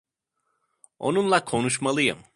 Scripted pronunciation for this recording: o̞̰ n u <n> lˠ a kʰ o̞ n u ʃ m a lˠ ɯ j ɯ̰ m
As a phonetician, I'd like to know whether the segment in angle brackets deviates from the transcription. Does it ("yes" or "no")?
no